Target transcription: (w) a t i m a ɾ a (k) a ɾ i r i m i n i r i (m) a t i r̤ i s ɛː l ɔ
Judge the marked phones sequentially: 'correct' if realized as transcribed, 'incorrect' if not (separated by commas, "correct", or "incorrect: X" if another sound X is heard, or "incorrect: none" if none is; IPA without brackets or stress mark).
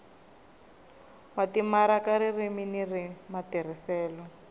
correct, correct, correct